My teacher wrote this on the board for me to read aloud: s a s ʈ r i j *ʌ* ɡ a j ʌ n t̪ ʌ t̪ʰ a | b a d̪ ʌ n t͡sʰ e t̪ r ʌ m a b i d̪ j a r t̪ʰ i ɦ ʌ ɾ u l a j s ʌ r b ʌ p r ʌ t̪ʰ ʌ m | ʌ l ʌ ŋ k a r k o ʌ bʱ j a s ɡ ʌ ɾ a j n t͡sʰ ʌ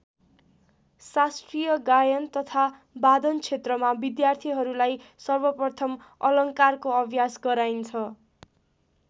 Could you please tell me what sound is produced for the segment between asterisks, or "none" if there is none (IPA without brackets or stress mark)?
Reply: ʌ